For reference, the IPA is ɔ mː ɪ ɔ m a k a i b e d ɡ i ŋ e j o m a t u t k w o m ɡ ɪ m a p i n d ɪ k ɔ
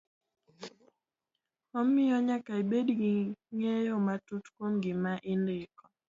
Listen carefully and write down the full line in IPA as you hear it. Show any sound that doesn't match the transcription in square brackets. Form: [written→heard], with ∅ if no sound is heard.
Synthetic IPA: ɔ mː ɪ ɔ [m→ɲ] a k a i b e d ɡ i ŋ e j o m a t u t k w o m ɡ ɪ m a [p→ʔ] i n d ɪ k ɔ